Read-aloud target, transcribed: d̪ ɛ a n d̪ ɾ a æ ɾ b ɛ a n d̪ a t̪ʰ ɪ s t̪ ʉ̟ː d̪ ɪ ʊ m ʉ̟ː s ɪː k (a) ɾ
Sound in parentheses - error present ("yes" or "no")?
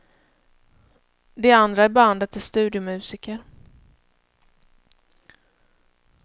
yes